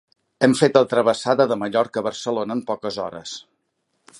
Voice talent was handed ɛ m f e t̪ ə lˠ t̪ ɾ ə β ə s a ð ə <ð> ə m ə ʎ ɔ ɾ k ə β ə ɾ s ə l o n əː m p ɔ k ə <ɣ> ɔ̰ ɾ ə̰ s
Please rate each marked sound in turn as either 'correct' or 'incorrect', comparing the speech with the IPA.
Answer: correct, incorrect

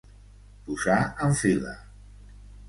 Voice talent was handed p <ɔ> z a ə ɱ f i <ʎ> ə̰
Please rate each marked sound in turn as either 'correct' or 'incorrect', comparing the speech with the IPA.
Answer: incorrect, incorrect

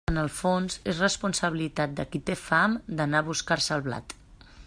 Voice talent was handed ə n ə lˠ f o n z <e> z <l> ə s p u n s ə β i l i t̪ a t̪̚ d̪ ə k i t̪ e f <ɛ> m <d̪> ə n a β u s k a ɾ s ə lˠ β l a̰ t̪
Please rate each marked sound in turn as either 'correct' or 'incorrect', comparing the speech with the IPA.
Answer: correct, incorrect, incorrect, correct

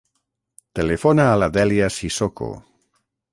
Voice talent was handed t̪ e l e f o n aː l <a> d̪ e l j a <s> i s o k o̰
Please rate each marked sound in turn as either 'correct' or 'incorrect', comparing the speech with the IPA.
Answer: correct, correct

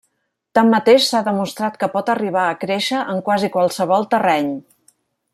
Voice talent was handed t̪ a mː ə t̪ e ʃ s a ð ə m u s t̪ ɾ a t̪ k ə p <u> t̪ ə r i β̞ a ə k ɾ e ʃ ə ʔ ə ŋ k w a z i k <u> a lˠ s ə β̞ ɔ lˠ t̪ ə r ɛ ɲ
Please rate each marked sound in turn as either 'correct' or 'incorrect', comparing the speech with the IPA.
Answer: incorrect, incorrect

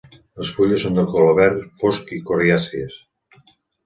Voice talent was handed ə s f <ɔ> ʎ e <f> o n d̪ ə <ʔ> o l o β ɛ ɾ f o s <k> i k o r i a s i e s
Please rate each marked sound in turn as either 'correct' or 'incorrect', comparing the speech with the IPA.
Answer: incorrect, incorrect, incorrect, correct

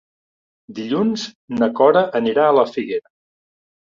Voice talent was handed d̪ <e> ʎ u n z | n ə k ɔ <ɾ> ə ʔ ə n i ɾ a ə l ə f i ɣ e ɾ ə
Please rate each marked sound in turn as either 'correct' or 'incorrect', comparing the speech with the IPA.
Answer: incorrect, correct

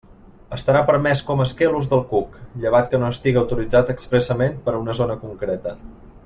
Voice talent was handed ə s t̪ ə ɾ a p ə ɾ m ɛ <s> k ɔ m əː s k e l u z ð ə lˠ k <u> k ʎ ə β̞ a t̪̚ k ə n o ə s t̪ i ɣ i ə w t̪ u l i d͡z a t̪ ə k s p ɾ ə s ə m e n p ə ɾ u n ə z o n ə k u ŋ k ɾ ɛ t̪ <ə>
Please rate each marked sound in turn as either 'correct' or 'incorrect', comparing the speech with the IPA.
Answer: correct, correct, correct

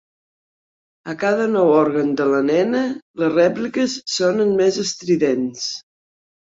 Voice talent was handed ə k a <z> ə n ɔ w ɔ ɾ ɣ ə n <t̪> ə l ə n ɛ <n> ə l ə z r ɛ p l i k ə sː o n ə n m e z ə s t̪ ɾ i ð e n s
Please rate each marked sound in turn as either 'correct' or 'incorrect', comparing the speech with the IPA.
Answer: incorrect, incorrect, correct

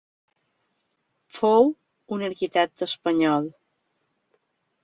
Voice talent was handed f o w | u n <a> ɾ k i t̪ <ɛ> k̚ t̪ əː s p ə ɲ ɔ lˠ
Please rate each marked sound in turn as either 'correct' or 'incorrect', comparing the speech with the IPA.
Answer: incorrect, correct

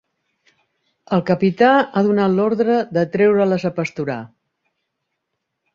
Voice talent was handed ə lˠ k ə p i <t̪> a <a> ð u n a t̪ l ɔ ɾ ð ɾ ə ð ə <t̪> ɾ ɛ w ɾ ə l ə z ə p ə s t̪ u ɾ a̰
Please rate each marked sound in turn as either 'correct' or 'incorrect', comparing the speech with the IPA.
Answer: correct, correct, correct

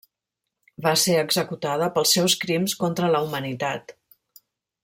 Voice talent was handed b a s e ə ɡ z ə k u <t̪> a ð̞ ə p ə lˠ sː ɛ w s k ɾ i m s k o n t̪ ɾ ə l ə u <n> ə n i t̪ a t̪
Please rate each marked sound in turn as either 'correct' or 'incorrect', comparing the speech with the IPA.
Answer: correct, incorrect

